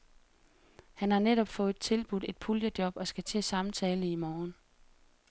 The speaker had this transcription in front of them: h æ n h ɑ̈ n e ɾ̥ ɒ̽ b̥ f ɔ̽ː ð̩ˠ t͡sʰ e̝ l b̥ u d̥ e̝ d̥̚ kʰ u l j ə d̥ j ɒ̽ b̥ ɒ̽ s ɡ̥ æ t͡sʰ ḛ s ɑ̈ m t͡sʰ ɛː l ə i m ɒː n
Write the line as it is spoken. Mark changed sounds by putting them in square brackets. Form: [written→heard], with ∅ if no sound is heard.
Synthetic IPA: h æ n h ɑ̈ n e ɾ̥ ɒ̽ b̥ f ɔ̽ː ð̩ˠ t͡sʰ e̝ l b̥ u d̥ e̝ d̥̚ [kʰ→pʰ] u l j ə d̥ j ɒ̽ b̥ ɒ̽ s ɡ̥ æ t͡sʰ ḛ s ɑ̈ m t͡sʰ ɛː l ə i m ɒː n